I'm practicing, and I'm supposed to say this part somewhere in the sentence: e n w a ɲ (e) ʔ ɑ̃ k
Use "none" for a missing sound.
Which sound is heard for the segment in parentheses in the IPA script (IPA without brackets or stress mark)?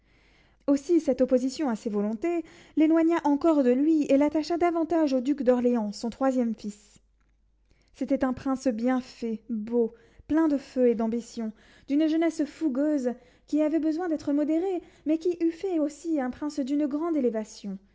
a